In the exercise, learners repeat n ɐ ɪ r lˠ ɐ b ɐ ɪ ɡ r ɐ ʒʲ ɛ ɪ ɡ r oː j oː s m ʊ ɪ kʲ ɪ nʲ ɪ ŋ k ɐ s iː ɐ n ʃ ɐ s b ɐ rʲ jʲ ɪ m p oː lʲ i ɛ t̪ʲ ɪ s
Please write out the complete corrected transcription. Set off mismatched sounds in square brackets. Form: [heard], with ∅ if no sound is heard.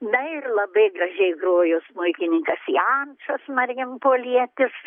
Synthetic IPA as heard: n ɐ ɪ r lˠ ɐ b ɐ ɪ ɡ r ɐ ʒʲ ɛ ɪ ɡ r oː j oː s m ʊ ɪ kʲ ɪ nʲ ɪ ŋ k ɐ s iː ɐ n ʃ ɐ s [m] ɐ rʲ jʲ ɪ m p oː lʲ i ɛ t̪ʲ ɪ s